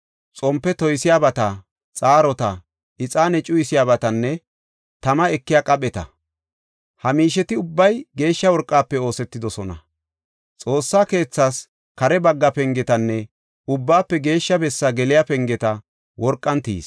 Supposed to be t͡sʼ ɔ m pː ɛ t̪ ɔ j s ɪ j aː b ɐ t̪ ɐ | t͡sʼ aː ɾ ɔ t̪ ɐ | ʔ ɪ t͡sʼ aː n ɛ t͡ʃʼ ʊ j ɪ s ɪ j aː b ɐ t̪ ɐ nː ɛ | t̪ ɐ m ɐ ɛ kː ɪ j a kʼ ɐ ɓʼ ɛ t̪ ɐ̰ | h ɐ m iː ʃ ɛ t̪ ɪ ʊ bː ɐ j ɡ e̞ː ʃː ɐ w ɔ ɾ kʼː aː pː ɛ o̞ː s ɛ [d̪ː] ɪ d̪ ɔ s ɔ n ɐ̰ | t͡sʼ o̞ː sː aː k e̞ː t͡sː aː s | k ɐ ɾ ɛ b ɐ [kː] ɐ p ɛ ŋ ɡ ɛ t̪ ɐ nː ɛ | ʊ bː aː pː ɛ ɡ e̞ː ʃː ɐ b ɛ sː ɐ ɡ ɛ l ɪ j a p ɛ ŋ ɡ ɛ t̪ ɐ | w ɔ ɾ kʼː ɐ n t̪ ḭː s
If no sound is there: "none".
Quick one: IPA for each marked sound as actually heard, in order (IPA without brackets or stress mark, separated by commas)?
t̪ː, ɡː